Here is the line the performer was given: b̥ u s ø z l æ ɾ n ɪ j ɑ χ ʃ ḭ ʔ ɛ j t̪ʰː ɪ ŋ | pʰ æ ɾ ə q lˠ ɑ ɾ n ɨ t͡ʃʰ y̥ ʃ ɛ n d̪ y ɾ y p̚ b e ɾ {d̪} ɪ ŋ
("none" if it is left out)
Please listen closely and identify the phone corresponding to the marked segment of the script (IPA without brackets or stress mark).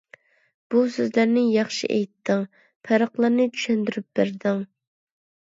d̪